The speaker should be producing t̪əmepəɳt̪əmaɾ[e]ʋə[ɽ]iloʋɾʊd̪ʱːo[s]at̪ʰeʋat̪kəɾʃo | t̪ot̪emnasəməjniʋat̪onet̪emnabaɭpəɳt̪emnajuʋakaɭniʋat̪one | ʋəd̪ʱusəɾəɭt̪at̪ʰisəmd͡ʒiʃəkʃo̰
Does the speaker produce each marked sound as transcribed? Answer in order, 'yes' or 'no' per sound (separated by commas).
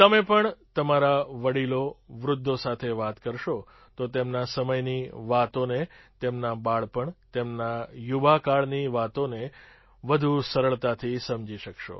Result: no, yes, yes